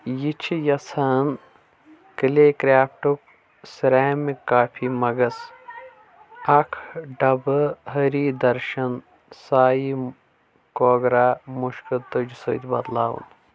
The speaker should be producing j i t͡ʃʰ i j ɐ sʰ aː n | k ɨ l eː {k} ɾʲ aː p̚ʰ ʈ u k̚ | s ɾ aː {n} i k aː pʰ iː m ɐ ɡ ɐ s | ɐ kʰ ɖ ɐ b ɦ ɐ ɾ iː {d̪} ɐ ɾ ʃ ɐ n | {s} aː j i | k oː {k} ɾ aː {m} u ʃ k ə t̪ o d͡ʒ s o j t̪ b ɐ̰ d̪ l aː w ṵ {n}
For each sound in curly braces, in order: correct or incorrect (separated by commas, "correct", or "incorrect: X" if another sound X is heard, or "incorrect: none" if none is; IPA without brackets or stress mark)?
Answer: correct, incorrect: m, correct, correct, incorrect: ɡ, correct, correct